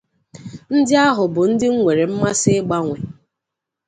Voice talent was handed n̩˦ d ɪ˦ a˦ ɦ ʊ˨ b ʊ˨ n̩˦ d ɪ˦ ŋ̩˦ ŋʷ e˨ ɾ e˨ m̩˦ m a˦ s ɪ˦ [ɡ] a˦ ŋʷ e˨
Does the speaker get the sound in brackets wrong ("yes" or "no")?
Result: yes